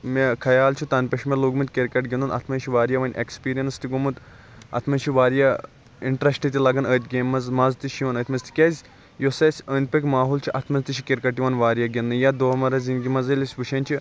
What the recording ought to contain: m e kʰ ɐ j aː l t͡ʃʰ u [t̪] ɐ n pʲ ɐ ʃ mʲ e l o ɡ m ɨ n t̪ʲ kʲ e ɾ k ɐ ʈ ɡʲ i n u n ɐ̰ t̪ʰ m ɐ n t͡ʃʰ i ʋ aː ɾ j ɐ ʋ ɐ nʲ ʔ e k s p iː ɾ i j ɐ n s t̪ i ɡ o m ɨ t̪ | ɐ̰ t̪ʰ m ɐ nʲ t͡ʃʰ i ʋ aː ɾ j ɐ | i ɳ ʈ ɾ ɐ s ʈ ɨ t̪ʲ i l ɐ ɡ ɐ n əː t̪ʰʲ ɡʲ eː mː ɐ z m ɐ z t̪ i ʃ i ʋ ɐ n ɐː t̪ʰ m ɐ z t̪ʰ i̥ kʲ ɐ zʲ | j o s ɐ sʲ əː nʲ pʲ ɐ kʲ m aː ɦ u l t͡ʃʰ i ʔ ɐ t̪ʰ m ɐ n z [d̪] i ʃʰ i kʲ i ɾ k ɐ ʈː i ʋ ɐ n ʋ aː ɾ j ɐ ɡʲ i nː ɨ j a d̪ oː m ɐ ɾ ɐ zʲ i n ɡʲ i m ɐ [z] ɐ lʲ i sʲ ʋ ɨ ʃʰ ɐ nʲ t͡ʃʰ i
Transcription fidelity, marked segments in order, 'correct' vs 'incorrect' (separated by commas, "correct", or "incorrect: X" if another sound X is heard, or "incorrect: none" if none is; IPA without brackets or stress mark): correct, incorrect: t̪, correct